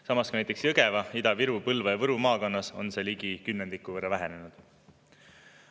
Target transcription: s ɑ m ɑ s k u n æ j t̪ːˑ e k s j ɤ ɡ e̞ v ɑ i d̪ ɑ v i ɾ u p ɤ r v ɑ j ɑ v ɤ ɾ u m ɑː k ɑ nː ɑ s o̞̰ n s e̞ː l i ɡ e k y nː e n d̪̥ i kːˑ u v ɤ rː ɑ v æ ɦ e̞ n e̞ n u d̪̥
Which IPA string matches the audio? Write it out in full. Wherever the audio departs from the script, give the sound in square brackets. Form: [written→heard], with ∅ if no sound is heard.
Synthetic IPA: s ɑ m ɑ s k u n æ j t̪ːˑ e k s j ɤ ɡ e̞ v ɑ i d̪ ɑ v i ɾ u p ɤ [r→l] v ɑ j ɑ v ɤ ɾ u m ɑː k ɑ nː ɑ s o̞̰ n s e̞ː l i ɡ [e→i] k y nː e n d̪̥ i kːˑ u v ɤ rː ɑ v æ ɦ e̞ n e̞ n u d̪̥